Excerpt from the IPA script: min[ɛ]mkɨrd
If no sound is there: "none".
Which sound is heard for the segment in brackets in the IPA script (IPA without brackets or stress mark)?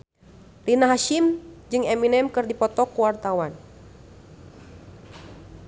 ɛ